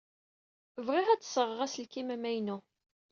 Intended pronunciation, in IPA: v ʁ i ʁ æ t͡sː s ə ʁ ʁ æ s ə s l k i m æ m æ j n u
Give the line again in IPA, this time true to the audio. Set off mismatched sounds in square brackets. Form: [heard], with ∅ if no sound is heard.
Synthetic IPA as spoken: v ʁ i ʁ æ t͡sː s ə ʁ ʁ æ s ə [∅] l k i m æ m æ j n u